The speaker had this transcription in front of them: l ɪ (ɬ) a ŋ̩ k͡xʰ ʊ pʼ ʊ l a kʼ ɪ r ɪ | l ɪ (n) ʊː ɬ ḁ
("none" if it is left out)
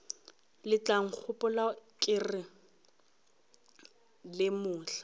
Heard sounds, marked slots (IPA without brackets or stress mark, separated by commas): t͡ɬ, m